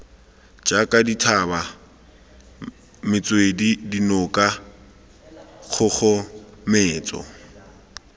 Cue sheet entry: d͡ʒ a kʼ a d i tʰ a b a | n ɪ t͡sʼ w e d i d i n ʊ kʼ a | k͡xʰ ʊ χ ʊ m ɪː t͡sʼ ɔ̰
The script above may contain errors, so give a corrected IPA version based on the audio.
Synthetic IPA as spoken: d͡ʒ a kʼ a d i tʰ a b a | m ɪ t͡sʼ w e d i d i n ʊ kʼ a | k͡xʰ ʊ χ ʊ m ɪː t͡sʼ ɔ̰

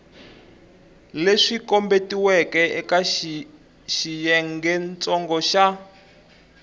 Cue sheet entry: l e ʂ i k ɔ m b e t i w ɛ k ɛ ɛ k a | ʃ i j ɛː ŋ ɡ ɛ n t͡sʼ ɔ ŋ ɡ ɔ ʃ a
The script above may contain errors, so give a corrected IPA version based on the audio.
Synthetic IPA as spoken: l e ʂ i k ɔ m b e t i w ɛ k ɛ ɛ k a | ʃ i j ɛ ŋ ɡ ɛ n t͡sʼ ɔ ŋ ɡ ɔ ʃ a

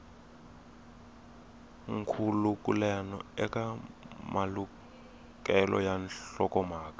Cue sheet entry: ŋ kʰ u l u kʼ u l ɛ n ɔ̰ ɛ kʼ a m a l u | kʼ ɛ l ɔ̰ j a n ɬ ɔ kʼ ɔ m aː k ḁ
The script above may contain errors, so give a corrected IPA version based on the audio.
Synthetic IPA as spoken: ŋ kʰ u l u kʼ u l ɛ n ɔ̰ ɛ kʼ a m a l u | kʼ ɛ l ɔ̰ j a n ɬ ɔ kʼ ɔ m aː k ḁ

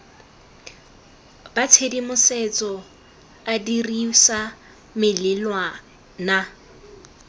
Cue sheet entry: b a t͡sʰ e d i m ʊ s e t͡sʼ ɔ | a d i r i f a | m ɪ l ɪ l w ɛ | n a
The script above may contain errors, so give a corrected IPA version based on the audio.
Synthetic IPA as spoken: b a t͡sʰ e d i m ʊ s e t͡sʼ ɔ | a d i r i s a | m ɪ l ɪ l w a | n a

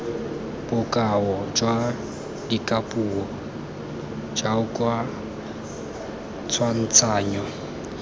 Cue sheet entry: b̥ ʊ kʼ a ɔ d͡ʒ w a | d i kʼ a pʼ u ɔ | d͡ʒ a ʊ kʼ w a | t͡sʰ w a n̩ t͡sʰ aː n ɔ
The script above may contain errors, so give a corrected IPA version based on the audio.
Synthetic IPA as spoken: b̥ ʊ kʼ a ɔ d͡ʒ w a | d i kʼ a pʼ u ɔ | d͡ʒ a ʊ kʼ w a | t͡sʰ w a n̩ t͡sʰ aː ɲ ɔ

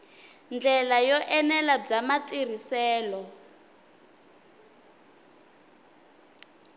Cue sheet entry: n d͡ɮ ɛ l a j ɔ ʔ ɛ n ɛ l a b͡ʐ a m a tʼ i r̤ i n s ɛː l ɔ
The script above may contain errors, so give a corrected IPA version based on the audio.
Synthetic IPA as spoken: n d͡ɮ ɛ l a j ɔ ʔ ɛ n ɛ l a b͡ʐ a m a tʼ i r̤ i s ɛː l ɔ

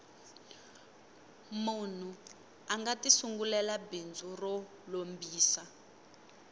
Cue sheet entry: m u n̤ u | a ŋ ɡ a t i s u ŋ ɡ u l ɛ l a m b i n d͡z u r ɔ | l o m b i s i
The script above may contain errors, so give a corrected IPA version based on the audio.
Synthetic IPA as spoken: m u n̤ u | a ŋ ɡ a t i s u ŋ ɡ u l ɛ l a b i n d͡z u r ɔ | l o m b iː s a

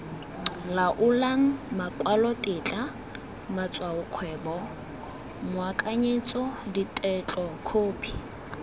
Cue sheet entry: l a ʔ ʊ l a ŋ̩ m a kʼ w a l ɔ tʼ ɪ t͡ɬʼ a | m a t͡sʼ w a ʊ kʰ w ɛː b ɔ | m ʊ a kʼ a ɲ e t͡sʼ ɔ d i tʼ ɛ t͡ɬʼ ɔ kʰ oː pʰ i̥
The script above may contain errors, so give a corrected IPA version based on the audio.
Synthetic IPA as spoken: l a ʔ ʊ l a ŋ̩ m a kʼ w a l ɔ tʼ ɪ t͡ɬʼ a | m a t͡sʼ w a ʊ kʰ w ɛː b ɔ | m ʊ a kʼ a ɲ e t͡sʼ ɔ d i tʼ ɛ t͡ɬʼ ɔ kʰ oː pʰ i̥

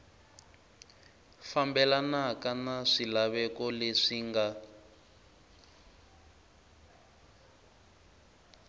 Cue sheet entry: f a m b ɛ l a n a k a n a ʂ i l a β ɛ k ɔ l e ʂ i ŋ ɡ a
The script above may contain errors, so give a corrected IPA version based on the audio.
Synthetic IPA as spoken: f a m b ɛ l a n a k a n a ʂ i l a β ɛ k ɔ l e ʂ i ŋ ɡ a

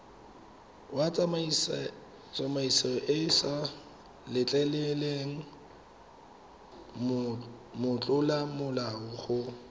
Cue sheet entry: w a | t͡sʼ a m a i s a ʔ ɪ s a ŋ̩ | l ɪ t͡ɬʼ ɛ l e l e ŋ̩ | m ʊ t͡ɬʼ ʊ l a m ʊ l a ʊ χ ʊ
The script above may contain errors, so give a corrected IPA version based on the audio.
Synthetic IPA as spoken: w a | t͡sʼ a m a i s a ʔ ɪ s a | l ɪ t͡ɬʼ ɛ l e l e ŋ̩ | m ʊ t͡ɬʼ ʊ l a m ʊ l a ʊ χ ʊ

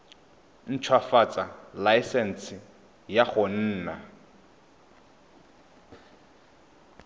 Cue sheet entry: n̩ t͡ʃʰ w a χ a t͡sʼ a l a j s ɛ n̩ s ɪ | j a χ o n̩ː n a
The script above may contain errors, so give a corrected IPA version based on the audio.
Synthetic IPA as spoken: n̩ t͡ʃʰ w a f a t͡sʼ a l a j s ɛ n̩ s ɪ | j a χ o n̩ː n a

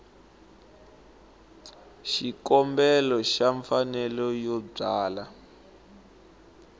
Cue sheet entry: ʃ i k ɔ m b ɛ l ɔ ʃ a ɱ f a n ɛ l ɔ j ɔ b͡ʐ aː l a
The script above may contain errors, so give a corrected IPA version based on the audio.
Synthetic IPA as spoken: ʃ i k ɔ m b ɛ l ɔ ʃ a ɱ f a n ɛ l ɔ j ɔ b͡ʐ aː l a

